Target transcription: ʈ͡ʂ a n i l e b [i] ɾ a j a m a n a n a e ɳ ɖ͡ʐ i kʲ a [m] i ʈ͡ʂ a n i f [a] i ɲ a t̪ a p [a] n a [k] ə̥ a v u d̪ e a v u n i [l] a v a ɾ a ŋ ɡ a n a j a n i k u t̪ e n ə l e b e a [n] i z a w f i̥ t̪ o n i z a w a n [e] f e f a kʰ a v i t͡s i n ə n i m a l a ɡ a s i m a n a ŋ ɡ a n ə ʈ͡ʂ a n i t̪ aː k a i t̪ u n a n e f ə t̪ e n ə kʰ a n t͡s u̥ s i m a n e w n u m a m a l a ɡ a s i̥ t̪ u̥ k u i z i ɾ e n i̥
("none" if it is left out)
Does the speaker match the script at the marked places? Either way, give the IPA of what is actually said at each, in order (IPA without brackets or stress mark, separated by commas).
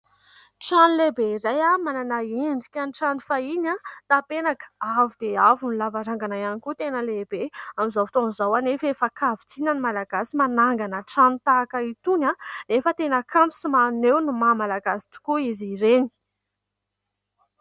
e, n, a, e, k, l, m, e